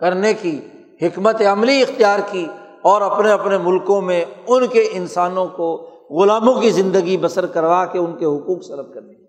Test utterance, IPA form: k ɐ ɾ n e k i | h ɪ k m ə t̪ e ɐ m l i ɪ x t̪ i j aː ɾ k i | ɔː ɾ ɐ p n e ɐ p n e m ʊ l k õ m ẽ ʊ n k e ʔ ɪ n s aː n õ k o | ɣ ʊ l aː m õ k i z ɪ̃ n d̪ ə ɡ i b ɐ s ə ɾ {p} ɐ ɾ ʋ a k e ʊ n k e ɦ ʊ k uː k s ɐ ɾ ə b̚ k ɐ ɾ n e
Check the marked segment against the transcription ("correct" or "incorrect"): incorrect